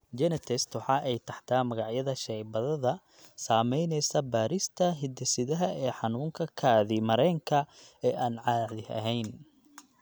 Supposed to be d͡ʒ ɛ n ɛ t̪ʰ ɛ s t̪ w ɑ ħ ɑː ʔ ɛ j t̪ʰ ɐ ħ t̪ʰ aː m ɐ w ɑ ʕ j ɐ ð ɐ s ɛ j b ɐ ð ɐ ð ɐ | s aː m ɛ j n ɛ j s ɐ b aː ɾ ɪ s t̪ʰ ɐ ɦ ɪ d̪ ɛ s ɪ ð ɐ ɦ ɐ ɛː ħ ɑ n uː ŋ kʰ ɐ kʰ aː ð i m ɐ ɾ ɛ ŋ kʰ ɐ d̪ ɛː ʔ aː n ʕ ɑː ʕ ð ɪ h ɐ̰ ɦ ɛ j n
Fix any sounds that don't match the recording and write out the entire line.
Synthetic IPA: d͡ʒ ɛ n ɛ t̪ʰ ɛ s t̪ w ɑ ħ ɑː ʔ ɛ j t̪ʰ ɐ ħ t̪ʰ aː m ɐ ɣ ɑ ʕ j ɐ ð ɐ ʃ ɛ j b ɐ ð ɐ ð ɐ | s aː m ɛ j n ɛ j s ɐ b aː ɾ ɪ s t̪ʰ ɐ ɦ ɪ d̪ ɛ s ɪ ð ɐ ɦ ɐ ɛː ħ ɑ n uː ŋ kʰ ɐ kʰ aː ð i m ɐ ɾ ɛ ŋ kʰ ɐ ɛː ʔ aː n ʕ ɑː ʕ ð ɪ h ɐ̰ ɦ ɛ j n